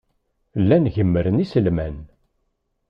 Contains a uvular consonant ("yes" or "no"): no